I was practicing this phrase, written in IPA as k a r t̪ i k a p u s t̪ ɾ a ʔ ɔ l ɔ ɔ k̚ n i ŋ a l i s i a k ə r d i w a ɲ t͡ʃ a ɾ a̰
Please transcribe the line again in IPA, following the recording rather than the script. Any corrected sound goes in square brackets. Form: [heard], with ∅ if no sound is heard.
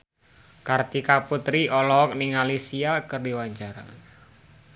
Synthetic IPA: k a r t̪ i k a p u [∅] t̪ ɾ [i] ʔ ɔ l ɔ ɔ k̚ n i ŋ a l i s i a k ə r d i w a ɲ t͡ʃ a ɾ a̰